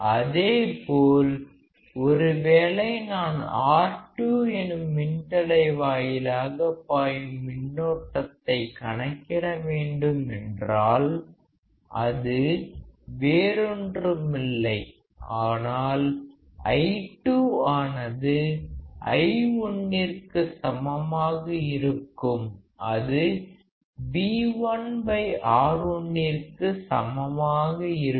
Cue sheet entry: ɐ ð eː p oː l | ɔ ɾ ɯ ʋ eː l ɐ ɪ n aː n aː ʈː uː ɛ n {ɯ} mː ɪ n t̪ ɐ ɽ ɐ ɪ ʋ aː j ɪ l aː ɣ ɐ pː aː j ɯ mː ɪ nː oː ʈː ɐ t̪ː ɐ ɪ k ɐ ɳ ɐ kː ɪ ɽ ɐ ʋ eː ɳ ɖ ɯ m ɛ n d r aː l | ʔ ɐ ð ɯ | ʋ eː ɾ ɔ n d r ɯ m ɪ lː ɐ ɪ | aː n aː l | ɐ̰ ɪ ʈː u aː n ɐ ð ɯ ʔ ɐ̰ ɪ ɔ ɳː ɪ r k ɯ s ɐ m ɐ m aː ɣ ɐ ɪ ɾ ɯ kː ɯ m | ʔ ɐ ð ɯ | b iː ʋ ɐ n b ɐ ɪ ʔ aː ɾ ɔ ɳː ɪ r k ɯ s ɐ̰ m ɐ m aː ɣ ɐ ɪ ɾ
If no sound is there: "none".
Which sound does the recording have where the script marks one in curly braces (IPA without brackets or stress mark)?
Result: ɯ